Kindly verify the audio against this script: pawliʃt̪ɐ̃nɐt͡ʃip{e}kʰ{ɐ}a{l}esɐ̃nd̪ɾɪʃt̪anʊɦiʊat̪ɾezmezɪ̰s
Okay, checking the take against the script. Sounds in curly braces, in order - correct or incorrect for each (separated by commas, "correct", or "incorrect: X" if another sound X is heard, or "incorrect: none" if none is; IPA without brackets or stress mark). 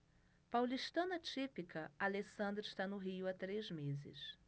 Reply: incorrect: i, correct, correct